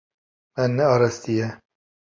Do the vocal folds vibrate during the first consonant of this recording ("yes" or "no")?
yes